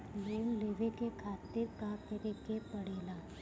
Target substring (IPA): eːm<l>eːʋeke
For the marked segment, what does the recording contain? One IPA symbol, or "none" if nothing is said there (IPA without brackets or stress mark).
l